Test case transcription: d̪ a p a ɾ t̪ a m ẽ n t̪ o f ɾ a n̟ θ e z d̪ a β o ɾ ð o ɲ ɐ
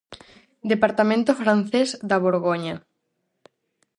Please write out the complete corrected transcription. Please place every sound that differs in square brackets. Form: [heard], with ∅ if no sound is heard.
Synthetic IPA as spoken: d̪ [e] p a ɾ t̪ a m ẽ n t̪ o f ɾ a n̟ θ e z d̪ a β o ɾ [ɣ] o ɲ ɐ